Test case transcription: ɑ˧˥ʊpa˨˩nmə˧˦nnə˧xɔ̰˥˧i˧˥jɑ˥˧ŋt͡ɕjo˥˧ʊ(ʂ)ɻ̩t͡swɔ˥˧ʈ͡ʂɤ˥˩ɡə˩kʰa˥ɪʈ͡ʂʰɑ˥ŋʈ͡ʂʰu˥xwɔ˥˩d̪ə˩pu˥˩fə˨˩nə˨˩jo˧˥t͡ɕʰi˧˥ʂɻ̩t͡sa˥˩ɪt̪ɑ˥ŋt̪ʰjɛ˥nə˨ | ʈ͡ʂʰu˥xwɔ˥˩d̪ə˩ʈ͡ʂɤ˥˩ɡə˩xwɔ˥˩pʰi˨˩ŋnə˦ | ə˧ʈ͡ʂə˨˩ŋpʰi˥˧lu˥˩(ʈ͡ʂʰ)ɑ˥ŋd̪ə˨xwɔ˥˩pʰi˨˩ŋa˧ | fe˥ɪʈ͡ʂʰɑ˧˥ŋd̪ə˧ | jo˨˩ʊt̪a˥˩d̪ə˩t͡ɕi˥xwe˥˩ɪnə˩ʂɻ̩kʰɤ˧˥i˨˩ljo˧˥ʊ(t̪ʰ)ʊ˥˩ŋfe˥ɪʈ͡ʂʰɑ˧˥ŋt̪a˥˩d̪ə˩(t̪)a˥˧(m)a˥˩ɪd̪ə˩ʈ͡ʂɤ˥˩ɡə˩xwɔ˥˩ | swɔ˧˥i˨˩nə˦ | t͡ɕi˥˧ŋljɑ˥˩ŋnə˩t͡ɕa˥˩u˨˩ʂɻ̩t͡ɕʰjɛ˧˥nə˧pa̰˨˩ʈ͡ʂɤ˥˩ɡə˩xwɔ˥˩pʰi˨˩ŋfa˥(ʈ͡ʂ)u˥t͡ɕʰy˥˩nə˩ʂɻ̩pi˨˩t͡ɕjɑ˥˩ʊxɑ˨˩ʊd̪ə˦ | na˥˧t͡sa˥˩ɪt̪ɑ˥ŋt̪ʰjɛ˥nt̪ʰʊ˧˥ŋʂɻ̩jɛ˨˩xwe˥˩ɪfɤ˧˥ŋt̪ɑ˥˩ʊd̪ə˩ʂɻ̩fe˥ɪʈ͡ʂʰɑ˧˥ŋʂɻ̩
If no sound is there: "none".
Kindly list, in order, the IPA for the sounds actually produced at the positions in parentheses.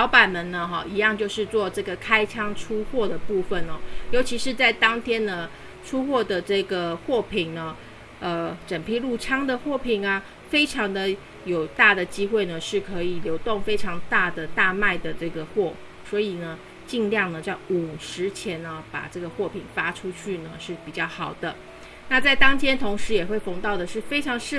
ʂ, ʈ͡ʂʰ, t̪, t̪, m, ʈ͡ʂʰ

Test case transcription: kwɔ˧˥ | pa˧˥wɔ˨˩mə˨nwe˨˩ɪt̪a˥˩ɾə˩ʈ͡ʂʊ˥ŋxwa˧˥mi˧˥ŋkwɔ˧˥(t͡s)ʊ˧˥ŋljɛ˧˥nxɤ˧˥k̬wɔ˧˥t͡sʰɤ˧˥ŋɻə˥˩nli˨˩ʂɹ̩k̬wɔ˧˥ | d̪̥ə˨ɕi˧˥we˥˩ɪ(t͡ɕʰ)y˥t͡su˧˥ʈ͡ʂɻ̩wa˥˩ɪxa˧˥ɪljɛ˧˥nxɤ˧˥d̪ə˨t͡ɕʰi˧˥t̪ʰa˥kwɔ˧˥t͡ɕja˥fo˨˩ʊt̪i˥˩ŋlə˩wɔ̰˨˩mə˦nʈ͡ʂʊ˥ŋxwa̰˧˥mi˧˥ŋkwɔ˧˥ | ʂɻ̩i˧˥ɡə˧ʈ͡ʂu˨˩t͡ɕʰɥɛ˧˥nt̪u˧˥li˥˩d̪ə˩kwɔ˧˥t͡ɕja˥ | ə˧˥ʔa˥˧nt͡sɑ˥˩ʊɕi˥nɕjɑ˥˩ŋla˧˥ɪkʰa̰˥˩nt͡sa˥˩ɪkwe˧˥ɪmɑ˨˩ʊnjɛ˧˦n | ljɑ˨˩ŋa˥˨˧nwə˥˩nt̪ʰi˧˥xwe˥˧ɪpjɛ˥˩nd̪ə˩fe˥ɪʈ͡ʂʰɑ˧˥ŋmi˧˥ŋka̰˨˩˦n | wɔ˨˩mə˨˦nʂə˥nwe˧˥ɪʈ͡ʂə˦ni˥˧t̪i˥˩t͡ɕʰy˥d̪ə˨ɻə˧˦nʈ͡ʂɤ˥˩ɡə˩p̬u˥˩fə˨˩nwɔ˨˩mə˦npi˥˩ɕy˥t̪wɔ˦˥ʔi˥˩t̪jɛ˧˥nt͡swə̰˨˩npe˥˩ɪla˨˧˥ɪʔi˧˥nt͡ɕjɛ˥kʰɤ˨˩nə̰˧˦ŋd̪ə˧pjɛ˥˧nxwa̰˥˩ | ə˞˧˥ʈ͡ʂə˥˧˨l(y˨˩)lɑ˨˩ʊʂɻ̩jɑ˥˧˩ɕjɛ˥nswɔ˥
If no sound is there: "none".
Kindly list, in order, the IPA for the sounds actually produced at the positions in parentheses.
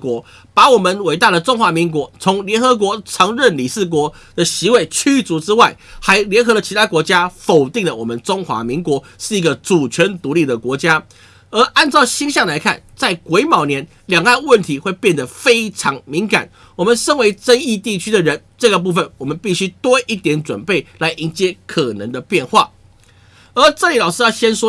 t͡sʰ, t͡ɕʰ, i˨˩

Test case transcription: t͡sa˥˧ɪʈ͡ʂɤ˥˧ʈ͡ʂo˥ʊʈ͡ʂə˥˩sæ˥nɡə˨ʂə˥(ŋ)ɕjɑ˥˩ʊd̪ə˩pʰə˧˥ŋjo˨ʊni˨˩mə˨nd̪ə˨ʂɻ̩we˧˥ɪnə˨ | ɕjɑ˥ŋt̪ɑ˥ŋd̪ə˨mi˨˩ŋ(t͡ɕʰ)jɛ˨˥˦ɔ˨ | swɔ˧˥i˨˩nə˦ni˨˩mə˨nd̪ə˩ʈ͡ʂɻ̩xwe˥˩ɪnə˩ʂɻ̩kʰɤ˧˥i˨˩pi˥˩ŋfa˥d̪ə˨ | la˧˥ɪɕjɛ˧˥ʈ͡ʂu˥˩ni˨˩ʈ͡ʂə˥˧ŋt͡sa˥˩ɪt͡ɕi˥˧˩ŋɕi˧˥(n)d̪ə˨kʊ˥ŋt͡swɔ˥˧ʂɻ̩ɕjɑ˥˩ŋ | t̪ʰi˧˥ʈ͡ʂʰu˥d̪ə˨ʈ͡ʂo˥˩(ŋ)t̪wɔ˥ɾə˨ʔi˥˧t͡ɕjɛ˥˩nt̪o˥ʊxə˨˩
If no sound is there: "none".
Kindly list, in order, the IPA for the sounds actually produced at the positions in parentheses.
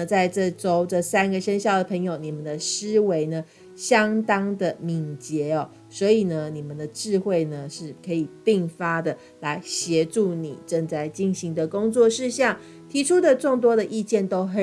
n, t͡ɕ, ŋ, ŋ

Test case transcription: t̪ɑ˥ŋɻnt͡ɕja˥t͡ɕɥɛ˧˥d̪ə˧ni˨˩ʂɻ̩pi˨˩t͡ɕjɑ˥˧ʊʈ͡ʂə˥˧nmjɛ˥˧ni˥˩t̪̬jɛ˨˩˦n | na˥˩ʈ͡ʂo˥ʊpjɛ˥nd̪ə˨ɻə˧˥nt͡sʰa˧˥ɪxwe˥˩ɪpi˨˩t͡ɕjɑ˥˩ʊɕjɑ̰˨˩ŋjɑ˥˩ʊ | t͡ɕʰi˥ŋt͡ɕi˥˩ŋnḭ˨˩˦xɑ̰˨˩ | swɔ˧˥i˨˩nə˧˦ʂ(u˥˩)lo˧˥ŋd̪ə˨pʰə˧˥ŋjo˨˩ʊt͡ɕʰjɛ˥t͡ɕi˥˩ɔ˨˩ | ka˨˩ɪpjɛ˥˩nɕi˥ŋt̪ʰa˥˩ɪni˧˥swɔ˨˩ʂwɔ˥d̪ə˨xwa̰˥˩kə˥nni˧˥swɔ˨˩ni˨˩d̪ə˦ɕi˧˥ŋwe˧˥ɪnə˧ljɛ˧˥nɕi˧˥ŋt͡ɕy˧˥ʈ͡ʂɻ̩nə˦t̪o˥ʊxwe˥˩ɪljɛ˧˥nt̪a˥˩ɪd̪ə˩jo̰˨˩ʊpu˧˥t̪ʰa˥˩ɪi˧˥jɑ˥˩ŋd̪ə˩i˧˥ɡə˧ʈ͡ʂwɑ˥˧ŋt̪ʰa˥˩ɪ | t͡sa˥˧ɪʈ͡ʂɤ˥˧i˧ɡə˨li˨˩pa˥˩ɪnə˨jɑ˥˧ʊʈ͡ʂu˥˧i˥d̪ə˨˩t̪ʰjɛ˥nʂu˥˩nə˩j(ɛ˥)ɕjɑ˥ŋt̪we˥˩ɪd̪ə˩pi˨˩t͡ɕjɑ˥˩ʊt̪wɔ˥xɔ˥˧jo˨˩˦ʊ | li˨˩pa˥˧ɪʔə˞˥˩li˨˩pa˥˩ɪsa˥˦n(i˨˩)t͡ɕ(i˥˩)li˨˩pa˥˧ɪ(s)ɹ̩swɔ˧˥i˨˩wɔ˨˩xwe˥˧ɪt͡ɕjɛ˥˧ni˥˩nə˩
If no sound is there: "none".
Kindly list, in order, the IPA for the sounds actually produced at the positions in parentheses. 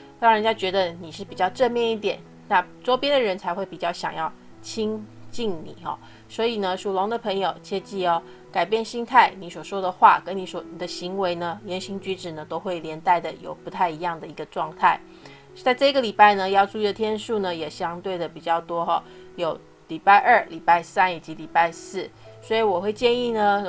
u˨˩, ɛ˨˩, i˨˩, i˧˦˥, s

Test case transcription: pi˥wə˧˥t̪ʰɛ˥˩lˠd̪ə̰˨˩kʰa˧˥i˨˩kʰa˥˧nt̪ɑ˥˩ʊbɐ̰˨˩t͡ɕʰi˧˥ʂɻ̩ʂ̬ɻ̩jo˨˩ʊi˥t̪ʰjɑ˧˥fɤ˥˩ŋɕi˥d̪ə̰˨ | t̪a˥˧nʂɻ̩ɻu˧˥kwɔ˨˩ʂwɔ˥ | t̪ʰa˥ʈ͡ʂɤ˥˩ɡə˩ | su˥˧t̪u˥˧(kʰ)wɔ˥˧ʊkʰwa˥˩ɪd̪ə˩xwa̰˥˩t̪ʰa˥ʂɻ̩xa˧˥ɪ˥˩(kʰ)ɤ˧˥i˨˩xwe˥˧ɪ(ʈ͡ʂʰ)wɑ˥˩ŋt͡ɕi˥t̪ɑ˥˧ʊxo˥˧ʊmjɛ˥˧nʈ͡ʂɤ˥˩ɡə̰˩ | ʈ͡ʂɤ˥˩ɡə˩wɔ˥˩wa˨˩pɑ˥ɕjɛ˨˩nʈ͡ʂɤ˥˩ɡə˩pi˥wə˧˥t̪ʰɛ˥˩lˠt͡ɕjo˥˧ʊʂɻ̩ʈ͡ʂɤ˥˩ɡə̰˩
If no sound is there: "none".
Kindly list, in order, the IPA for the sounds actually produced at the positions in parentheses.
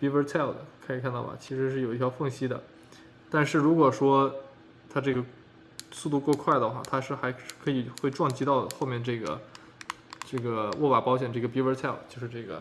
k, kʰ, ʈ͡ʂ

